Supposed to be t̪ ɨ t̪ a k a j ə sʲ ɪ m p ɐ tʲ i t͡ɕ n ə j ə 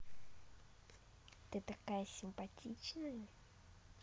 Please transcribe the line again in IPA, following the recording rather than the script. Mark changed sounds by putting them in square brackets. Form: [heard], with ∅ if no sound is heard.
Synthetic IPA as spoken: t̪ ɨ t̪ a k a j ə sʲ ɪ m p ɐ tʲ i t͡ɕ n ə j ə